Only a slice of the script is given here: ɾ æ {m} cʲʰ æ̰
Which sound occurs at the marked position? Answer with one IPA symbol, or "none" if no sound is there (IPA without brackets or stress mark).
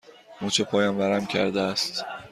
m